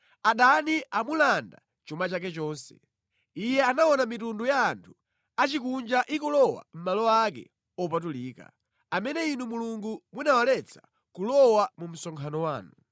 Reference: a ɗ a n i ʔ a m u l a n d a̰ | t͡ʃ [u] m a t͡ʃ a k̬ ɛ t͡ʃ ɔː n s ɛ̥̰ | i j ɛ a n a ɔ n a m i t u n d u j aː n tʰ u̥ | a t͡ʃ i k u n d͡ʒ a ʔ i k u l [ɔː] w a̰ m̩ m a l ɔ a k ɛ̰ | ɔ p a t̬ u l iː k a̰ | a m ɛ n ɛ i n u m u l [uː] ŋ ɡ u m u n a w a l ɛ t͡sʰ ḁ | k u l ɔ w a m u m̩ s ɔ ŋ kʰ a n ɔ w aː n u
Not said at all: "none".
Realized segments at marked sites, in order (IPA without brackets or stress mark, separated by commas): u, ɔ, u